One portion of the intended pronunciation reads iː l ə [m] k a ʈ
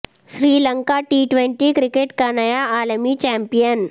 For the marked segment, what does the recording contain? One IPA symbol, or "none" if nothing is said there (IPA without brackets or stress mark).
ŋ